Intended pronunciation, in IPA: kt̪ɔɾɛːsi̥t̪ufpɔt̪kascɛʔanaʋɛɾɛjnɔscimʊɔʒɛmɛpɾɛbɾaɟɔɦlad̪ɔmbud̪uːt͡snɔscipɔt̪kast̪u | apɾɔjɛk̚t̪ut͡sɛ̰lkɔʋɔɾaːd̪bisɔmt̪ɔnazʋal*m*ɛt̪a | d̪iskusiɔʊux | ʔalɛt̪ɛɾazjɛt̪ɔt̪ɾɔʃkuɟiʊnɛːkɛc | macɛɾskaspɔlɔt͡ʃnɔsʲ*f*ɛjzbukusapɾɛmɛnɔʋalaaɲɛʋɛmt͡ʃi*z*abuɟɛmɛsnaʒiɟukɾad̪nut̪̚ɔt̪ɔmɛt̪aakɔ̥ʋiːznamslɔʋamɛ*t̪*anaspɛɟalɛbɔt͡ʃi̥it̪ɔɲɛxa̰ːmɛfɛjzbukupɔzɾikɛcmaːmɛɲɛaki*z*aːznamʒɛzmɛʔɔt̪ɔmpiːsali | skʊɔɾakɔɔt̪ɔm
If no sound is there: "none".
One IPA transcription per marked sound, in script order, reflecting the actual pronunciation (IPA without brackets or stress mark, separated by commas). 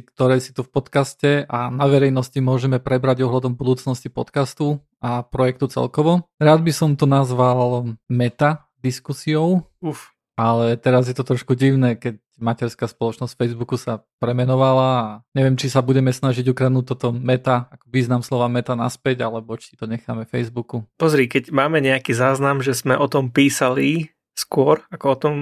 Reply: m, f, s, t̪, z